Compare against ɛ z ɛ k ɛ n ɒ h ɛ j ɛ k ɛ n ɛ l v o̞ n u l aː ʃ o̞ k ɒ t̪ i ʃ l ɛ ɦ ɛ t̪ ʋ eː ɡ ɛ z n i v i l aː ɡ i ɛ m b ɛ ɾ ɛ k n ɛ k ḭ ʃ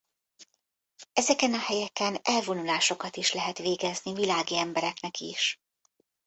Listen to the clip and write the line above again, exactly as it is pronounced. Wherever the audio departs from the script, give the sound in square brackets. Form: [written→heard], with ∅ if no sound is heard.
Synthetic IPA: ɛ z ɛ k ɛ n ɒ h ɛ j ɛ k ɛ n ɛ l v o̞ n u l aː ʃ o̞ k ɒ t̪ i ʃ l ɛ ɦ ɛ t̪ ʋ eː ɡ ɛ z n i v i l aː ɡ i ɛ m b ɛ ɾ ɛ k n ɛ k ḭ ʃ